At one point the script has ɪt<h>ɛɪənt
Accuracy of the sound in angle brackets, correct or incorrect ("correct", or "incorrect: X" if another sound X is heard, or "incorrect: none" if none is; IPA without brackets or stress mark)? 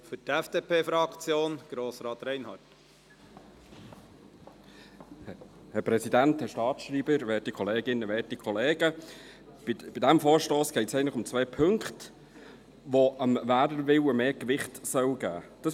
incorrect: s